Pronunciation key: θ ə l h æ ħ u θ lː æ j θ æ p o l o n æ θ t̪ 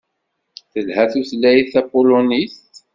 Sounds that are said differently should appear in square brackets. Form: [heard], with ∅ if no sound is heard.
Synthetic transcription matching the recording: θ ə l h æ [θ] u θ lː æ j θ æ p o l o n [i] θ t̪